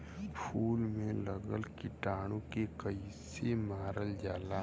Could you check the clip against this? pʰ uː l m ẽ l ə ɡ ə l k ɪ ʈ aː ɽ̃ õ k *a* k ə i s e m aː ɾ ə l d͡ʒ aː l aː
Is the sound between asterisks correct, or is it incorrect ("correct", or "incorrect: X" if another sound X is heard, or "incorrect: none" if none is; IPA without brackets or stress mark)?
incorrect: e